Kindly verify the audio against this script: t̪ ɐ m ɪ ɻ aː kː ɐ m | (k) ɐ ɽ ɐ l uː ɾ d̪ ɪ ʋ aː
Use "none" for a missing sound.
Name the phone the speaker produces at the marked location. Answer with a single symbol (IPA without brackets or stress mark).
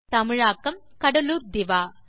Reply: k